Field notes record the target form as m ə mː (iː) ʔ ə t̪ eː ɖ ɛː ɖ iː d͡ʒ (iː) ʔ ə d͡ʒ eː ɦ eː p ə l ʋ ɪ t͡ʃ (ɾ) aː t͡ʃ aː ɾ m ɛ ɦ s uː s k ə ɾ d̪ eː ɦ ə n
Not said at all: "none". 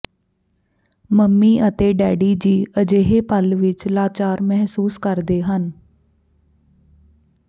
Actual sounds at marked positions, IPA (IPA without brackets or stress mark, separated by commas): iː, iː, l